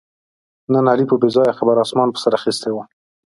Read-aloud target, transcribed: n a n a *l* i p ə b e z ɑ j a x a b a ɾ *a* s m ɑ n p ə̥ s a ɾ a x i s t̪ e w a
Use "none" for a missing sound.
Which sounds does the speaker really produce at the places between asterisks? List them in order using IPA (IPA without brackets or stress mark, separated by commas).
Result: l, ɑ